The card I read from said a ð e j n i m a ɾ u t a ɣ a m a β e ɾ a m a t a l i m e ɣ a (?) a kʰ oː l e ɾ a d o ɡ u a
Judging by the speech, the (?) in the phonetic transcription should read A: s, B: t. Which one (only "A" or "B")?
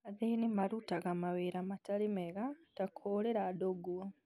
B